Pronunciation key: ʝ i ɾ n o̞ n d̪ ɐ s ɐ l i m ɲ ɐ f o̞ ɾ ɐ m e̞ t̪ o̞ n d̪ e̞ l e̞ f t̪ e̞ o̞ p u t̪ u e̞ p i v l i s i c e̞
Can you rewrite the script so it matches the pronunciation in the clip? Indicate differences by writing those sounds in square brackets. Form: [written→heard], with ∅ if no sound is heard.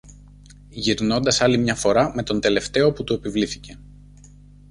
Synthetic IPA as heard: ʝ i ɾ n o̞ n d̪ ɐ s ɐ l i m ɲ ɐ f o̞ ɾ ɐ m e̞ t̪ o̞ n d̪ e̞ l e̞ f t̪ e̞ o̞ p u t̪ u e̞ p i v l i [s→θ] i c e̞